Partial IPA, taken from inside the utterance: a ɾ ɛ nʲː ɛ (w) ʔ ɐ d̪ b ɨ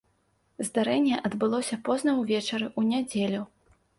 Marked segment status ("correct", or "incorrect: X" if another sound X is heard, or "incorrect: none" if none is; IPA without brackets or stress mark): incorrect: none